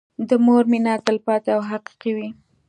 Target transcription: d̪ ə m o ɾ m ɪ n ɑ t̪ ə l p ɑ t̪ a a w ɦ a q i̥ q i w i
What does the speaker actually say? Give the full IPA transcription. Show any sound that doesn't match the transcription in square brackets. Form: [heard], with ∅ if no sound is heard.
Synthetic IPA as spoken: d̪ ə m o ɾ m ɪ n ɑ t̪ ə l p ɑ t̪ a a w ɦ a q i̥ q i w i